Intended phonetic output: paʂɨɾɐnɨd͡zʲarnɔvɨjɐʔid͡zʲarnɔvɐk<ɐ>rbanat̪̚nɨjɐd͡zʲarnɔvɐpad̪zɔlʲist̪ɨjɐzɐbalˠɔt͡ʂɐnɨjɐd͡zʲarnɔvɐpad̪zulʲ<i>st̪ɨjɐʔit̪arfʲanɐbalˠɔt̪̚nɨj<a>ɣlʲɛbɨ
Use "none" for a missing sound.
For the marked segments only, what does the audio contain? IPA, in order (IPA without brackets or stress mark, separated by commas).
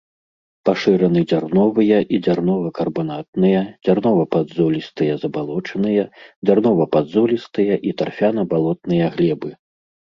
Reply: ɐ, i, ɐ